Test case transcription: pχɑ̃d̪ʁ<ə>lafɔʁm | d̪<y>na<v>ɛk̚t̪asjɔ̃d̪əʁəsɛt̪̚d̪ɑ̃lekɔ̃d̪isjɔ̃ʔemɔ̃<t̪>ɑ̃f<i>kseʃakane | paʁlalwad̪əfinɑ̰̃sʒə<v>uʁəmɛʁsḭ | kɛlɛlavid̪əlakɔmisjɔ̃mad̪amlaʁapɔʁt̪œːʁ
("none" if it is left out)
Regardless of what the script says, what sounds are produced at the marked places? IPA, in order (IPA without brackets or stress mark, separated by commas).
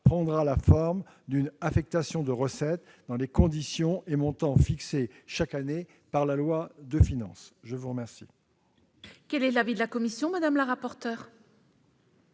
a, y, f, t̪, i, v